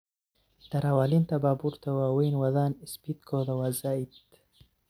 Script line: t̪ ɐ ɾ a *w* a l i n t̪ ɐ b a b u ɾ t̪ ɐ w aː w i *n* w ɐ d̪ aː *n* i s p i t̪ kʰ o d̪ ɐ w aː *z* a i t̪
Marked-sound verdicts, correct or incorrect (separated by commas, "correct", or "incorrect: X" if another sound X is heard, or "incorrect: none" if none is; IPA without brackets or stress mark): correct, correct, correct, correct